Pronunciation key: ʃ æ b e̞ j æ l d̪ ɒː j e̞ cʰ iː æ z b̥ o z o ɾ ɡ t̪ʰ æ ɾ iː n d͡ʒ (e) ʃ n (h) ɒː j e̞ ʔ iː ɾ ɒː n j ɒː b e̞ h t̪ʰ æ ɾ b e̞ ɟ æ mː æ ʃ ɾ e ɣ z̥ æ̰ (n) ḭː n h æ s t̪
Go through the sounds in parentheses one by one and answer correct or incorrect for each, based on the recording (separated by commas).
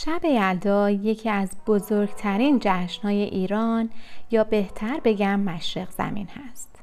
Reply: incorrect, correct, incorrect